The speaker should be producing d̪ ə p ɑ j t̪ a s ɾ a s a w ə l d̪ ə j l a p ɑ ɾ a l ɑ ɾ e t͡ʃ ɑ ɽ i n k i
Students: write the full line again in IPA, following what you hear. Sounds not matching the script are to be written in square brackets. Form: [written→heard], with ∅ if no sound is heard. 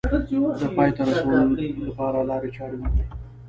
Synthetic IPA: d̪ ə p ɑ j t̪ a [s→∅] ɾ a s a w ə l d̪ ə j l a p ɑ ɾ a l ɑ ɾ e t͡ʃ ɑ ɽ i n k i